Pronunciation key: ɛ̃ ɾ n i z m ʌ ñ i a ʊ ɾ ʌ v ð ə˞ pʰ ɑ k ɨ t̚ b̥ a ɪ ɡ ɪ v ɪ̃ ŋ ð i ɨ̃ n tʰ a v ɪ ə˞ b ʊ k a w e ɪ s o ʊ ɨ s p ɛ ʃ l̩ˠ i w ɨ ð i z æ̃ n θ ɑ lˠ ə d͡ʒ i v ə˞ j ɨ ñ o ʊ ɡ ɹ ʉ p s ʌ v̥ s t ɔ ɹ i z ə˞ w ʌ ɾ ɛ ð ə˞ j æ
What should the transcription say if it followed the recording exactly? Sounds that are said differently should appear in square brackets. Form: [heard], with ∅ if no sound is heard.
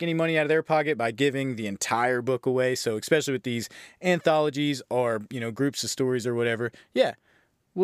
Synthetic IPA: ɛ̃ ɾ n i [∅] m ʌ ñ i a ʊ ɾ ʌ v ð ə˞ pʰ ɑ k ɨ t̚ b̥ a ɪ ɡ ɪ v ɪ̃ ŋ ð i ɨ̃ n tʰ a [∅] ɪ ə˞ b ʊ k [ə] w e ɪ s o ʊ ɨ s p ɛ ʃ l̩ˠ i w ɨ ð i z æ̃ n θ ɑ lˠ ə d͡ʒ i [z] ə˞ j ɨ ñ o ʊ ɡ ɹ ʉ p s ʌ v̥ s t ɔ ɹ i z ə˞ w ʌ ɾ ɛ [v] ə˞ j æ